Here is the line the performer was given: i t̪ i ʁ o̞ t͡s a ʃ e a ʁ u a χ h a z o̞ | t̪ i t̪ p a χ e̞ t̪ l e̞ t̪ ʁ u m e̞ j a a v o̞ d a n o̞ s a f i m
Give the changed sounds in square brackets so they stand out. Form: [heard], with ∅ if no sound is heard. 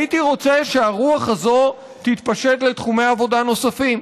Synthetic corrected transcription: i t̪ i ʁ o̞ t͡s [e] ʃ e a ʁ u a χ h a z o̞ | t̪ i t̪ p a [ʃ] e̞ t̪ l e̞ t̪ [χ] u m e̞ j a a v o̞ d a n o̞ s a f i m